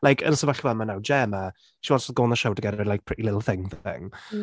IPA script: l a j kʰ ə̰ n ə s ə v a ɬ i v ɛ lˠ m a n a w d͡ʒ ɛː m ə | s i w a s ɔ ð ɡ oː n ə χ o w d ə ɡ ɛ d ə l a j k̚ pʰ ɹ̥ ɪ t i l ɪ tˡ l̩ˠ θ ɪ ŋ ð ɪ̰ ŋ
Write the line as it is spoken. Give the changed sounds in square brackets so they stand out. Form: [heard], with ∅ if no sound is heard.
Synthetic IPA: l a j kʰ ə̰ n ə s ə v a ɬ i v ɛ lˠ m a n a w d͡ʒ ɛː m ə | [ʃ] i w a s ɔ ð ɡ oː n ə [ʃ] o w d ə ɡ ɛ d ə l a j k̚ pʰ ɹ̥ ɪ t i l ɪ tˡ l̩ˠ θ ɪ ŋ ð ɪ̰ ŋ